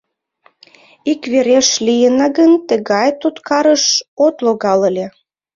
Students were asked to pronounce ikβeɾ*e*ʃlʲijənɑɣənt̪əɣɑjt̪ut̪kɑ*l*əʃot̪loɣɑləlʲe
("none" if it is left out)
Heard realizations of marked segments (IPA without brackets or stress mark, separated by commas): e, ɾ